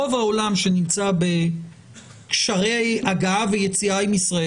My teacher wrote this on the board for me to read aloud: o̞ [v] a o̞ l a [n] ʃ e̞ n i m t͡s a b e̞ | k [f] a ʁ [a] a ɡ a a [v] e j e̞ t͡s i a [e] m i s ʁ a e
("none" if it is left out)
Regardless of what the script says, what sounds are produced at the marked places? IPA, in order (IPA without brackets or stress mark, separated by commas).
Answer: v, m, ʃ, e, v, i